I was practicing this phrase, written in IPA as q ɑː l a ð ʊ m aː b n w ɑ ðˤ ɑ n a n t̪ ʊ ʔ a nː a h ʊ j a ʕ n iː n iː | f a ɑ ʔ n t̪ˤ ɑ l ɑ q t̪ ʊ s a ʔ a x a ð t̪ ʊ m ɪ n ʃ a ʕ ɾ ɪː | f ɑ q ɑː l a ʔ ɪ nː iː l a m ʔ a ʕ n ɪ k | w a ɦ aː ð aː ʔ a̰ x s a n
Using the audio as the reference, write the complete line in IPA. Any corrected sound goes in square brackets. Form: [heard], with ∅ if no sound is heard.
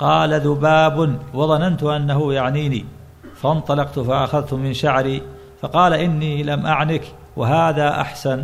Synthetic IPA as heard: q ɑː l a ð ʊ [b] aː b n w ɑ ðˤ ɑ n a n t̪ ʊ ʔ a nː a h ʊ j a ʕ n iː n iː | f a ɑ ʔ n t̪ˤ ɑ l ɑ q t̪ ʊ [f] a ʔ a x a ð t̪ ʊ m ɪ n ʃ a ʕ ɾ [iː] | f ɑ q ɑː l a ʔ ɪ nː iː l a m ʔ a ʕ n ɪ k | w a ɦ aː ð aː ʔ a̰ [ħ] s a n